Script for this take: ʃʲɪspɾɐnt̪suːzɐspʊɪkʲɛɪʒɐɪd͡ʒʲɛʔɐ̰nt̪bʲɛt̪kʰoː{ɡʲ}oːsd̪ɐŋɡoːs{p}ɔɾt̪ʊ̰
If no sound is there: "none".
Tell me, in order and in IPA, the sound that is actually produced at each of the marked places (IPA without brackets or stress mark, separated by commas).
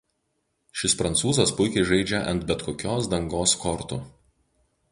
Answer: kʲ, k